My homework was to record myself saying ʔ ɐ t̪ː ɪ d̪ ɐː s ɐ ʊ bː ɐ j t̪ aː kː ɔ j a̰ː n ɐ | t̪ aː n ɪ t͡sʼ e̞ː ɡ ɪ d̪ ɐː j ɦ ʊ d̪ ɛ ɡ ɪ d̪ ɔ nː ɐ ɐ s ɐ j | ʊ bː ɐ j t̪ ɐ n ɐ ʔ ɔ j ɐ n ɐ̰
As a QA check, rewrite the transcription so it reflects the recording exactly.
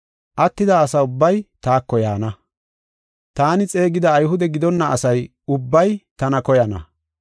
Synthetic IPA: ʔ ɐ t̪ː ɪ d̪ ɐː s ɐ ʊ bː ɐ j t̪ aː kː ɔ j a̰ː n ɐ | t̪ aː n ɪ t͡sʼ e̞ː ɡ ɪ d̪ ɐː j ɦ ʊ d̪ ɛ ɡ ɪ d̪ ɔ nː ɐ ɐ s ɐ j | ʊ bː ɐ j t̪ ɐ n ɐ k ɔ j ɐ n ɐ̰